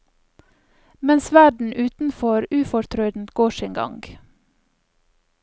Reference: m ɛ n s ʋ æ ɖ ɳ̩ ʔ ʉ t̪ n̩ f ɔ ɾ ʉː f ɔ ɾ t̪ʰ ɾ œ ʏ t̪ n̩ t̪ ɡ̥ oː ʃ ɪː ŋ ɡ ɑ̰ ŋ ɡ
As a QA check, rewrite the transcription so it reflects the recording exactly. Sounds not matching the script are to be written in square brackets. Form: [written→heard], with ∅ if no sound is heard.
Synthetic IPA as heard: m ɛ n s ʋ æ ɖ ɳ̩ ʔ [ʉ→ʉː] t̪ n̩ f ɔ ɾ ʉː f ɔ ɾ t̪ʰ ɾ œ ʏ [t̪→d̪] n̩ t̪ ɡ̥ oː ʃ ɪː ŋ ɡ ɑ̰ ŋ ɡ